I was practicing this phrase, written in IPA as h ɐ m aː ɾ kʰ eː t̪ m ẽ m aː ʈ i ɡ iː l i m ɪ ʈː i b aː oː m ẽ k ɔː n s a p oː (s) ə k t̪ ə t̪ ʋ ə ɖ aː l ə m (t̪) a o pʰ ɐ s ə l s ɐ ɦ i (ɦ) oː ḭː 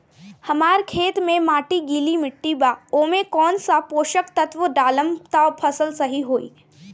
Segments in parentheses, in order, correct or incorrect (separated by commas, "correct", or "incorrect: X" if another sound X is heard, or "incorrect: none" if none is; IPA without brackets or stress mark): incorrect: ʃ, correct, correct